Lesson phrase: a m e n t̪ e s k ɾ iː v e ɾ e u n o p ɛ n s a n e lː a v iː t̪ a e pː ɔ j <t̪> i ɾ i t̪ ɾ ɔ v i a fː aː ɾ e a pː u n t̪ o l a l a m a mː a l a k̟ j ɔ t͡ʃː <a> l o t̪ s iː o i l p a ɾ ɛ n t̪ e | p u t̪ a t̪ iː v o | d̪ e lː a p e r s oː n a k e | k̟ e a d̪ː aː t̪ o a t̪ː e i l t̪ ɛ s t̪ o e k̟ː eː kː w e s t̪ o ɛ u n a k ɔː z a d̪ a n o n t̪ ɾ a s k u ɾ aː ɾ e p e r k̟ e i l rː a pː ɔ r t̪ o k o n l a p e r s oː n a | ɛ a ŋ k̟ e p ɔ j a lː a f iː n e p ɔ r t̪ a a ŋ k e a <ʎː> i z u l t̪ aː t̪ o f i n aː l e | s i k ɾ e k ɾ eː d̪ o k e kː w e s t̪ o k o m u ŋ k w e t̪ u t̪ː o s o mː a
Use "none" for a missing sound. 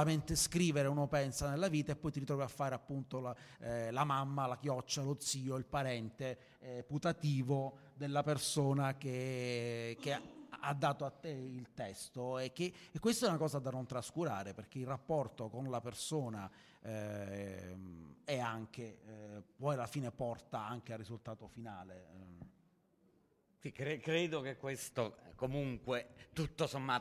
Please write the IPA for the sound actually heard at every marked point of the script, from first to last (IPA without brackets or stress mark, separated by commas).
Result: t̪, a, rː